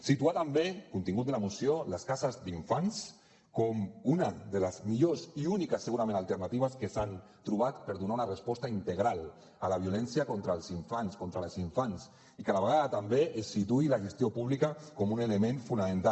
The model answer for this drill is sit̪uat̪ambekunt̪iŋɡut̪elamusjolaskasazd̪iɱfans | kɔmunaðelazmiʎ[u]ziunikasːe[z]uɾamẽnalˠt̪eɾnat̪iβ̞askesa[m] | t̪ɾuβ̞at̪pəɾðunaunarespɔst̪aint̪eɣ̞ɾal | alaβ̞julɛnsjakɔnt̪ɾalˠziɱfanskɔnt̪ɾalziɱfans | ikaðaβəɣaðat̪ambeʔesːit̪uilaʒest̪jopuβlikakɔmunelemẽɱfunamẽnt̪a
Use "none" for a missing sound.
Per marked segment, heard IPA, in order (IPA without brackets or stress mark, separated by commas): o, ɣ, n